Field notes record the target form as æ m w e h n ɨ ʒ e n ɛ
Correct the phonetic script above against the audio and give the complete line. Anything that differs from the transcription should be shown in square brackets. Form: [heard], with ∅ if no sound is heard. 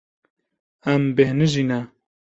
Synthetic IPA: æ m [b] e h n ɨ ʒ [i] n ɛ